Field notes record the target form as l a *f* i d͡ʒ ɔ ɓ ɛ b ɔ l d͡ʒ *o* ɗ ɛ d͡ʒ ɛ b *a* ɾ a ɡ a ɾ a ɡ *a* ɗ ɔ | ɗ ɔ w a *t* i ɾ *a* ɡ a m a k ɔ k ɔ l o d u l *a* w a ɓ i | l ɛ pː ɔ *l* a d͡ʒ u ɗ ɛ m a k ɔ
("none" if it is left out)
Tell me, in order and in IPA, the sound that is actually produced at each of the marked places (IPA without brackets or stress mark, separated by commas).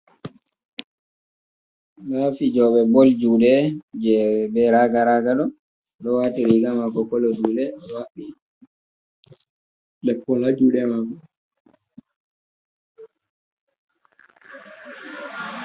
f, u, ɛ, a, t, i, ɛ, l